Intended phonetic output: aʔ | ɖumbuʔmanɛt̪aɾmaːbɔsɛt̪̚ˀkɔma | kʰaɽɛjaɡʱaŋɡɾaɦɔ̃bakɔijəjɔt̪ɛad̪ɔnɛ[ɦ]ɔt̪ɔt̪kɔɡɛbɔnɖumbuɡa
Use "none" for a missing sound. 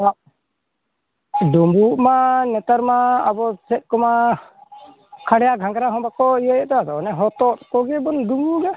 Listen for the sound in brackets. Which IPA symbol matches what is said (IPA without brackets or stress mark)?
ɦ